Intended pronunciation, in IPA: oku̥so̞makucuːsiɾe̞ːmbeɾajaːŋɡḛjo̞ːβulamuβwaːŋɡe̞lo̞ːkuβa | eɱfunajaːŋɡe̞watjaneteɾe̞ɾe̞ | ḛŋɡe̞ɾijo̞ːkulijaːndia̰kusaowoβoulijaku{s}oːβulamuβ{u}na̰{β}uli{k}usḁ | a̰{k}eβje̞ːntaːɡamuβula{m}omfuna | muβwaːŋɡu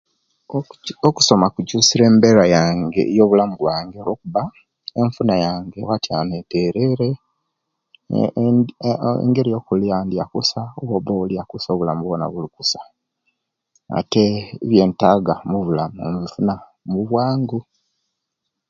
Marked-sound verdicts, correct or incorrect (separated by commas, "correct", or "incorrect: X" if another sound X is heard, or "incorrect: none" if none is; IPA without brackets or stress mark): correct, incorrect: o, correct, correct, incorrect: t, correct